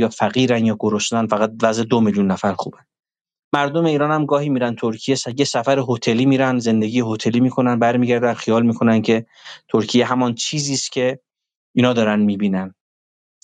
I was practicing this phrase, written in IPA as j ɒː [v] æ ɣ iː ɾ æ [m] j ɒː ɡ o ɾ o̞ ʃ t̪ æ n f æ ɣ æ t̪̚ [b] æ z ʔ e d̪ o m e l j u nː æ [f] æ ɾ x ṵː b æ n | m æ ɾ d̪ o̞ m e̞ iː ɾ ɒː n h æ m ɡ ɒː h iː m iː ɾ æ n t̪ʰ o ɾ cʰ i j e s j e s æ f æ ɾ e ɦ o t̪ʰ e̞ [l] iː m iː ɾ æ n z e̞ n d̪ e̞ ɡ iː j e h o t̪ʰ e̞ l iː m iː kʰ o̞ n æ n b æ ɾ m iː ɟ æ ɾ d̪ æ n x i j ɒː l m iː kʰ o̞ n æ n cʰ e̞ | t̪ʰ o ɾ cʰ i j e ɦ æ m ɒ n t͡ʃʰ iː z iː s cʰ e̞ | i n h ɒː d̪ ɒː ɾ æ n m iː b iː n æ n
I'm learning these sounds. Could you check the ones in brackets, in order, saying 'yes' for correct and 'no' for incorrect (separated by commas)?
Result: no, no, no, yes, yes